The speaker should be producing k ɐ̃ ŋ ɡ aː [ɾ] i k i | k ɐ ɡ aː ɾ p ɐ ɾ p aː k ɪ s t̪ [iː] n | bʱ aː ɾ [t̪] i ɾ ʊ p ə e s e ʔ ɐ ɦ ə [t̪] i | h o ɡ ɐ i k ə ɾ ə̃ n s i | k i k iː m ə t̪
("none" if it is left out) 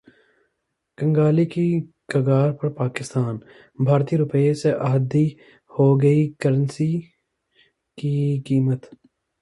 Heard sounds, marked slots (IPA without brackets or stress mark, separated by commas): l, aː, t̪, d̪